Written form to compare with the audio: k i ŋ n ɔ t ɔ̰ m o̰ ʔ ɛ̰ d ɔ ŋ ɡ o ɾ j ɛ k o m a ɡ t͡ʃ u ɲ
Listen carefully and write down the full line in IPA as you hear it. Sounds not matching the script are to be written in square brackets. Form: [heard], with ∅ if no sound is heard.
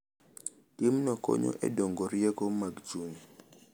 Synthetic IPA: [t] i [m] n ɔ [k] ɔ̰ [ɲ] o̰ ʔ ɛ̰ d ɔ ŋ ɡ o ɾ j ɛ k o m a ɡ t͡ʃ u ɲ